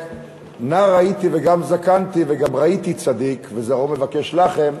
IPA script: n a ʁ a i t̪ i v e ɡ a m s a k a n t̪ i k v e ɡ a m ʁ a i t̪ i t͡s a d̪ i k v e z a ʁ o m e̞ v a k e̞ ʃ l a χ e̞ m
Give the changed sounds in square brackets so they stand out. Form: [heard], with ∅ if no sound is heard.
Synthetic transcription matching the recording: n a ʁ a i t̪ i v e ɡ a m [z] a k a n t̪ i [∅] v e ɡ a m ʁ a i t̪ i t͡s a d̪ i k v e z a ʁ o m e̞ v a k e̞ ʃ l a χ e̞ m